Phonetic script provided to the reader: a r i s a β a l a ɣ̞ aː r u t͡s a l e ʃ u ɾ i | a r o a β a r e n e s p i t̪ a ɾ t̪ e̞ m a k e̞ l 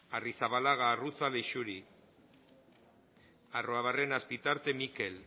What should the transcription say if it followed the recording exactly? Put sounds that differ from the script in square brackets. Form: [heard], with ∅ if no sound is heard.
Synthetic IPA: a r i s a β a l a ɣ̞ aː r u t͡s a l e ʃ u ɾ i | a r o a β a r e n [a] s p i t̪ a ɾ t̪ e̞ m [i] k e̞ l